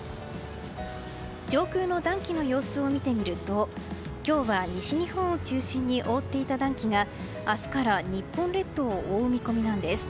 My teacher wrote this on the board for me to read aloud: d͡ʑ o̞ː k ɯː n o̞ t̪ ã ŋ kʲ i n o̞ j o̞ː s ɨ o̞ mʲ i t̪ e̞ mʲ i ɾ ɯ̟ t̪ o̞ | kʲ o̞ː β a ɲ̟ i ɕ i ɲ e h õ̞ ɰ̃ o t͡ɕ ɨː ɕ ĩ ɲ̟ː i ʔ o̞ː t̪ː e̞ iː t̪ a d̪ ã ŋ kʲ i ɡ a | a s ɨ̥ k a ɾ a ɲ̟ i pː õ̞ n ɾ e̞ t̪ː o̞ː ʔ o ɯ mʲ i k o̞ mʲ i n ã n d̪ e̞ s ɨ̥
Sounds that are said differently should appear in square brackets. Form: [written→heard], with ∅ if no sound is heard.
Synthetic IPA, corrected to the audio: d͡ʑ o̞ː k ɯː n o̞ [t̪→d̪] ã ŋ kʲ i n o̞ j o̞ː s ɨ o̞ mʲ i t̪ e̞ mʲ i ɾ ɯ̟ t̪ o̞ | kʲ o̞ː β a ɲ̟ i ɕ i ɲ [e→i] h õ̞ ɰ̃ o t͡ɕ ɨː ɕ ĩ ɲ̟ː i ʔ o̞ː t̪ː e̞ [iː→i] t̪ a d̪ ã ŋ kʲ i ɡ a | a s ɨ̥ k a ɾ a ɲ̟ i pː õ̞ n ɾ e̞ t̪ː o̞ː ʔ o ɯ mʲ i k o̞ mʲ i n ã n d̪ e̞ s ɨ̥